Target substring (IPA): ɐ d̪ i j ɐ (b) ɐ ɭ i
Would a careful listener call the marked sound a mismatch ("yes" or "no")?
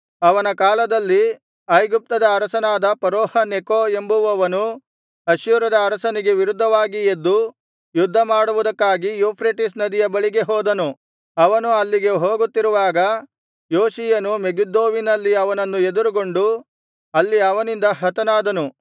no